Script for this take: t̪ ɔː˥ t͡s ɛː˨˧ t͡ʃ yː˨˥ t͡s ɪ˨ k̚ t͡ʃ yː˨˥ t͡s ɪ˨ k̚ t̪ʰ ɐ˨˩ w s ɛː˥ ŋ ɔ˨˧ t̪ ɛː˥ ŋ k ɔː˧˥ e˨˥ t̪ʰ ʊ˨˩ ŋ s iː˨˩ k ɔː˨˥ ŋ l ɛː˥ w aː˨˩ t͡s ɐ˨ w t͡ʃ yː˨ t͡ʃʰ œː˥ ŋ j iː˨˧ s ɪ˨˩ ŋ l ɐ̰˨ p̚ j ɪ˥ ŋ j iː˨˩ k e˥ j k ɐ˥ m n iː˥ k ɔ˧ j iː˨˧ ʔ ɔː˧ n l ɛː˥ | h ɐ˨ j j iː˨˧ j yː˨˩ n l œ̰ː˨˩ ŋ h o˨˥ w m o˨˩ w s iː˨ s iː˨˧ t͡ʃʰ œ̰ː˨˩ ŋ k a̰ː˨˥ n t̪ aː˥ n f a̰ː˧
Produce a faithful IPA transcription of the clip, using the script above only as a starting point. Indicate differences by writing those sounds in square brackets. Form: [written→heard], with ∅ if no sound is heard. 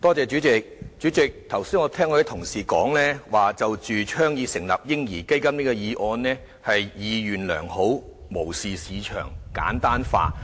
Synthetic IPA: t̪ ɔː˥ t͡s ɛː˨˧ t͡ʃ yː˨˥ t͡s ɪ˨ k̚ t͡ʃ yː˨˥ t͡s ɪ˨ k̚ t̪ʰ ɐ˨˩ w s [ɛː˥→iː˥] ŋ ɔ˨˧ [t̪→t̪ʰ] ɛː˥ ŋ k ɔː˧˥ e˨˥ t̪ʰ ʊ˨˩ ŋ s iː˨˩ k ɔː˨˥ ŋ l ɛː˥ w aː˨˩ t͡s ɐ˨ w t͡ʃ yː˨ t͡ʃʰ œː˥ ŋ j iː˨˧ s ɪ˨˩ ŋ l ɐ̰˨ p̚ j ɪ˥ ŋ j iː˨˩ k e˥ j k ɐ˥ m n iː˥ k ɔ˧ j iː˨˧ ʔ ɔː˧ n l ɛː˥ | h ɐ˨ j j iː˨˧ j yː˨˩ n l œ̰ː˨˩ ŋ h o˨˥ w m o˨˩ w s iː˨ s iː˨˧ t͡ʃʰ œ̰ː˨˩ ŋ k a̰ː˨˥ n t̪ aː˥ n f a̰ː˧